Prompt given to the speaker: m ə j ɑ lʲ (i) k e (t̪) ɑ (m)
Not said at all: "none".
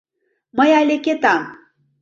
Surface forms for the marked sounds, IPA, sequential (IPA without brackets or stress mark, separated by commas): e, t̪, m